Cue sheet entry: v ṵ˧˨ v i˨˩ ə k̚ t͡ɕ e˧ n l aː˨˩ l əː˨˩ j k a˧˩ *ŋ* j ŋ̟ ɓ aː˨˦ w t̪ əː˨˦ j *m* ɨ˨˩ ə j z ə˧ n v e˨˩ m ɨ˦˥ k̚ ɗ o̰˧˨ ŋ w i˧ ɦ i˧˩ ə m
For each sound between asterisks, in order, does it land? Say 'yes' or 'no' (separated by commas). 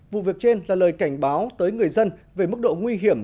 no, no